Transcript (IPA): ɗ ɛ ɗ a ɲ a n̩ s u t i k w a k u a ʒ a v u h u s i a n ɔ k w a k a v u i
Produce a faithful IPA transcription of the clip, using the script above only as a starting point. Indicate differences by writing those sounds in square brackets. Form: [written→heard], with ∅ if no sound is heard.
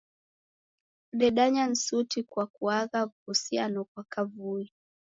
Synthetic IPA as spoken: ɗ ɛ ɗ a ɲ a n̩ s u t i k w a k u a [ʒ→ɣ] a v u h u s i a n ɔ k w a k a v u i